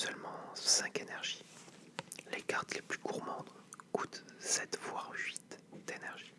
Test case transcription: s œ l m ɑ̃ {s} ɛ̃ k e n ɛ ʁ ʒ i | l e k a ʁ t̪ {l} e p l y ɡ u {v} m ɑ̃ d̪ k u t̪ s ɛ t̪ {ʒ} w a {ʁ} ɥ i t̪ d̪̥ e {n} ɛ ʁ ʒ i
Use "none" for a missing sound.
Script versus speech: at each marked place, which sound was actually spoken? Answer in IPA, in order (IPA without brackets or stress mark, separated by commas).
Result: s, l, ʁ, v, ʁ, n